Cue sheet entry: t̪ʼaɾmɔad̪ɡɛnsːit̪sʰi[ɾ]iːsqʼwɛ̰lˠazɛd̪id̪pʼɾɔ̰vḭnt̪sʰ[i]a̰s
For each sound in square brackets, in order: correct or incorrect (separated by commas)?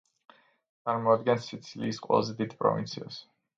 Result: incorrect, correct